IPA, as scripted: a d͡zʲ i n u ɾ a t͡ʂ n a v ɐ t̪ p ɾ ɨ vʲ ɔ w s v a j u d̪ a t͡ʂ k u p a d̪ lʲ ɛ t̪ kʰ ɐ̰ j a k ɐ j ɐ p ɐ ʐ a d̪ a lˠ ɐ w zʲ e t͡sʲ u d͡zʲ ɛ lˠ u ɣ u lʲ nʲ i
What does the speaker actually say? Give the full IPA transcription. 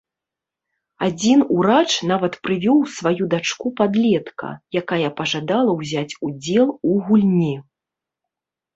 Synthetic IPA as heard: a d͡zʲ i n u ɾ a t͡ʂ n a v ɐ t̪ p ɾ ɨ vʲ ɔ w s v a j u d̪ a t͡ʂ k u p a d̪ lʲ ɛ t̪ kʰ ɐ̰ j a k a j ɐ p ɐ ʐ a d̪ a lˠ ɐ w zʲ a t͡sʲ u d͡zʲ ɛ lˠ u ɣ u lʲ nʲ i